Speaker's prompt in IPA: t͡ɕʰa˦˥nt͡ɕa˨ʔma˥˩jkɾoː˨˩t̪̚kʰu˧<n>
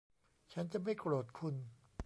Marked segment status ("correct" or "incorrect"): correct